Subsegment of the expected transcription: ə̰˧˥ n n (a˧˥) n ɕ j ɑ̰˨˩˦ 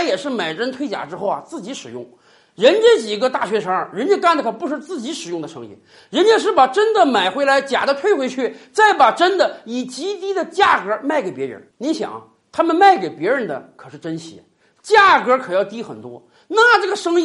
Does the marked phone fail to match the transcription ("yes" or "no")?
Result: yes